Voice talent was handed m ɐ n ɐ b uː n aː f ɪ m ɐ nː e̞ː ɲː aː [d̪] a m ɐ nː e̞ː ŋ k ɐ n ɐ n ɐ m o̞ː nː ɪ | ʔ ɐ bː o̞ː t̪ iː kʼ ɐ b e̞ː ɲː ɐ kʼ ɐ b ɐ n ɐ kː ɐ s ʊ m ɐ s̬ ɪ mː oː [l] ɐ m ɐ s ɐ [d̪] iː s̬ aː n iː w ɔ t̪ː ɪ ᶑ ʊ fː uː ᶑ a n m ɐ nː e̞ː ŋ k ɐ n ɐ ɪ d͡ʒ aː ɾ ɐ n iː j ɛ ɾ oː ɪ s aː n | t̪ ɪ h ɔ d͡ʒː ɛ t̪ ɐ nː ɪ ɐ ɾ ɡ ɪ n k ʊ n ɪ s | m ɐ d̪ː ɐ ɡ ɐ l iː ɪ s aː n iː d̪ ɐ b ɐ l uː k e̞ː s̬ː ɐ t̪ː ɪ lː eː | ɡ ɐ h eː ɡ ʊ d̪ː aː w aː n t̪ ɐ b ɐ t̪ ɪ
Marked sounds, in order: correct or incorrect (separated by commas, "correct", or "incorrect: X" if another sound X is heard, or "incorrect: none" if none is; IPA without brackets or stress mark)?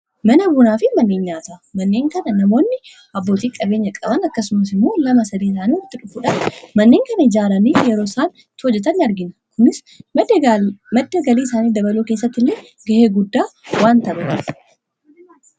incorrect: t̪, correct, correct